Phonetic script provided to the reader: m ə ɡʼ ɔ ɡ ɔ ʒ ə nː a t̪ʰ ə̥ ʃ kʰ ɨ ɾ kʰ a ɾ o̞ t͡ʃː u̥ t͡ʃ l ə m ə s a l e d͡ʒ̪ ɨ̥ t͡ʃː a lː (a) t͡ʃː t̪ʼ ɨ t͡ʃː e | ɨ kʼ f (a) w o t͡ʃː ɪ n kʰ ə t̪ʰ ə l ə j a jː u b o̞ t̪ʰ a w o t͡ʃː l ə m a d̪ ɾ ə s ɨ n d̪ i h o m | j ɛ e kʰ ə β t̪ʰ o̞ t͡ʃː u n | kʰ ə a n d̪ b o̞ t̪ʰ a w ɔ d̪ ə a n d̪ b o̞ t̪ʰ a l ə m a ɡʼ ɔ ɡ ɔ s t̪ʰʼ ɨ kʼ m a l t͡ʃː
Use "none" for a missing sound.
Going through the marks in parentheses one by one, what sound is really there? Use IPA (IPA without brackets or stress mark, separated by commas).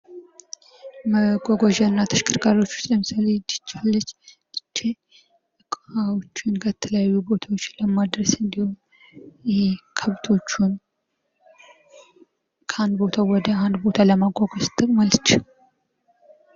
ə, a